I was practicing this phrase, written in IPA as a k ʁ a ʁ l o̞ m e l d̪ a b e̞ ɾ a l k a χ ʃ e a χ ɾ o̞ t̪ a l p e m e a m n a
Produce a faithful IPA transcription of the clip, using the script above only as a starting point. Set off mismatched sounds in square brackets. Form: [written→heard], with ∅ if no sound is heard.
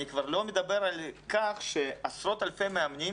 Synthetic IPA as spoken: [a→i] k [ʁ→v] a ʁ l o̞ m e [l→∅] d̪ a b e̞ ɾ a l k a χ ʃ e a [χ→s] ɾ o̞ t̪ a l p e m e a m n [a→i]